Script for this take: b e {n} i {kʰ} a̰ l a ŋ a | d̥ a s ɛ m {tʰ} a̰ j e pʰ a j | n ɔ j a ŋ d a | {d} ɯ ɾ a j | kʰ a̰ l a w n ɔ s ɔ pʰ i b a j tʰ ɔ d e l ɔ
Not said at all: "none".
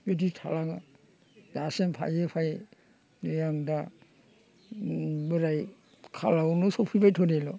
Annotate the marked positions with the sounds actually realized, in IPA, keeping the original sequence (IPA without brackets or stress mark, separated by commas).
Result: d, tʰ, pʰ, b